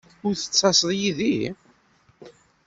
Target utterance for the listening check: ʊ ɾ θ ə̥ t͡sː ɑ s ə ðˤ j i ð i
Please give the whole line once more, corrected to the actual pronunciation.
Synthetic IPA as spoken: ʊ ɾ θ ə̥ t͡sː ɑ s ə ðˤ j i ð i